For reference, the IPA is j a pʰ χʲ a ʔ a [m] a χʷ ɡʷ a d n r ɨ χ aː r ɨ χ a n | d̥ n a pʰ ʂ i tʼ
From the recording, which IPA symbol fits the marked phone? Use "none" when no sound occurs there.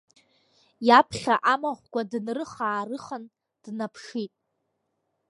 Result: m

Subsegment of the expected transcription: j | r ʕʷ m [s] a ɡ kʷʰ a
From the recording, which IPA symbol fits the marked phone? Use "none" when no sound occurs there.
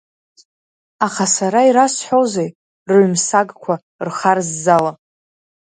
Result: s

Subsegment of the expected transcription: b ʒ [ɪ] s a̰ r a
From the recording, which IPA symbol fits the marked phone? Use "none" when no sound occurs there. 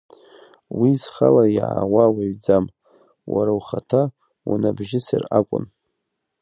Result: ɪ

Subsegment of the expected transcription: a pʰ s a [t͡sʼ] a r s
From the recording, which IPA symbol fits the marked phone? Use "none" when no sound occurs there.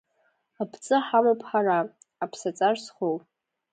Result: t͡sʼ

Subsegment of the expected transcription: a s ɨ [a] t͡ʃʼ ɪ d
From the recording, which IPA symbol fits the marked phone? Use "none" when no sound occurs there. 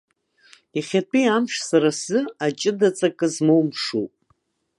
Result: a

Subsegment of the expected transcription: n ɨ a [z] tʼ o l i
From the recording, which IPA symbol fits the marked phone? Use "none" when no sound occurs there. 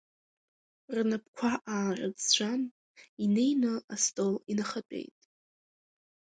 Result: s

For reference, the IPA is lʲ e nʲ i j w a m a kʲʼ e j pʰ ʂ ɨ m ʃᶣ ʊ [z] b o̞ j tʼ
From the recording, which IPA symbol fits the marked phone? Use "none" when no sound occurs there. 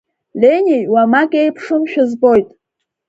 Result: z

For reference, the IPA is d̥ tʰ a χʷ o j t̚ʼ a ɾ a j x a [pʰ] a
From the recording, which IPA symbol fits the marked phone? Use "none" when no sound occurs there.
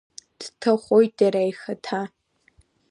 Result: tʰ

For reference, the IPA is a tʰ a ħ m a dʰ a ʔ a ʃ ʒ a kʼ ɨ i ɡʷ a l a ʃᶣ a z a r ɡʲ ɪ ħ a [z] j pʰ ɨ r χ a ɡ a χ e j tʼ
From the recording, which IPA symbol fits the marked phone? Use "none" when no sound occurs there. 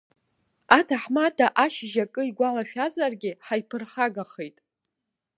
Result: none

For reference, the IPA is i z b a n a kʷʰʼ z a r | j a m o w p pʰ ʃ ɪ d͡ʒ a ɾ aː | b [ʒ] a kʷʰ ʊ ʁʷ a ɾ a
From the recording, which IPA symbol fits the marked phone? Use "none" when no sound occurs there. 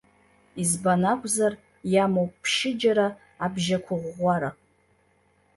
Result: ʒ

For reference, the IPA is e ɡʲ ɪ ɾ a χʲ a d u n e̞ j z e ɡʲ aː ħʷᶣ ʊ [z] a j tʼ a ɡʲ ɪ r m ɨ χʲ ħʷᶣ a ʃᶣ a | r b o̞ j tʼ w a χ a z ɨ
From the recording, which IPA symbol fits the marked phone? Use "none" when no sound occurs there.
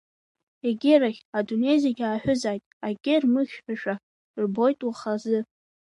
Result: z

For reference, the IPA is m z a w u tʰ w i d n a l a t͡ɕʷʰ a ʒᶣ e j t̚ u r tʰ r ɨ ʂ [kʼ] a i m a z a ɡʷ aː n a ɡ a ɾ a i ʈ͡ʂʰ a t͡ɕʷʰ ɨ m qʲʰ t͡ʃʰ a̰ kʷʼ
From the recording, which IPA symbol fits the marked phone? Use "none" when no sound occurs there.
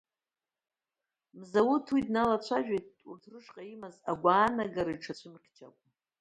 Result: qʼ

